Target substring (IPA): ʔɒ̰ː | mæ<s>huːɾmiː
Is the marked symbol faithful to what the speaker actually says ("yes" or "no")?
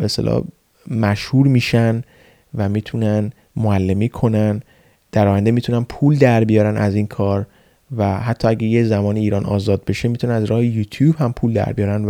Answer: no